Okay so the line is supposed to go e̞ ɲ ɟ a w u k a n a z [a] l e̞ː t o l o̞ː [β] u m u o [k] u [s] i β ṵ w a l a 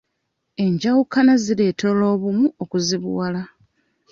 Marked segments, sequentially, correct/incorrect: incorrect: i, correct, correct, incorrect: z

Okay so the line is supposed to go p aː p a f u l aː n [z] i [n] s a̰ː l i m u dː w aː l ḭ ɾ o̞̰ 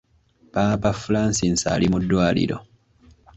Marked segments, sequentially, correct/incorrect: incorrect: s, correct

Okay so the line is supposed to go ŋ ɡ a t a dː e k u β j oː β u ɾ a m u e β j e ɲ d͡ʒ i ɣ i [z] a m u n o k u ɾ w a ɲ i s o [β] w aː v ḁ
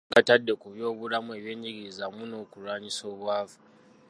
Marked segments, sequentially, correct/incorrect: correct, correct

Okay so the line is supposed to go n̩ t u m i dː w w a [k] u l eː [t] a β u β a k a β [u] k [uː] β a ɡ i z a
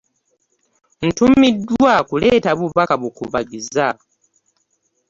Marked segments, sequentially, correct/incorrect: correct, correct, correct, incorrect: u

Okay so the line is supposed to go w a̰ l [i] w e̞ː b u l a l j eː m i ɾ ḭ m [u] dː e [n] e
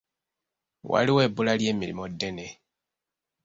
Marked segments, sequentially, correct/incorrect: correct, incorrect: o, correct

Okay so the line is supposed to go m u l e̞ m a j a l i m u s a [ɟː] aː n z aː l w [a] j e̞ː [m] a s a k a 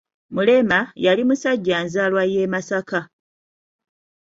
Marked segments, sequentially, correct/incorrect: correct, correct, correct

